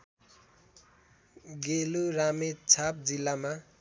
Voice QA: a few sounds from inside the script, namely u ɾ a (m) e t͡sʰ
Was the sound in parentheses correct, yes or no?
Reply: yes